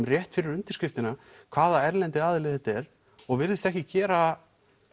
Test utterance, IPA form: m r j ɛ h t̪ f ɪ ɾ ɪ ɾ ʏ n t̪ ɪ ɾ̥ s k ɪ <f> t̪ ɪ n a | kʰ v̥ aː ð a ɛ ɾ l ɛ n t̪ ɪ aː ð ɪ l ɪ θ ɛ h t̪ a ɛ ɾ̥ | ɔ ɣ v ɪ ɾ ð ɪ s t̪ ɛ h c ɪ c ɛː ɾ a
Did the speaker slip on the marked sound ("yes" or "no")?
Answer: no